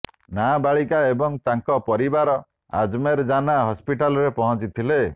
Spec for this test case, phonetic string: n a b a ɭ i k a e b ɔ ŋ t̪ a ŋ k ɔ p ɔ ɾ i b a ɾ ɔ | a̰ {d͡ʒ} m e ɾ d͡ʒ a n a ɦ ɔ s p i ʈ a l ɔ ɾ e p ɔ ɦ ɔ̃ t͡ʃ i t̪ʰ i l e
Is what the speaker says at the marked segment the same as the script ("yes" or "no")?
yes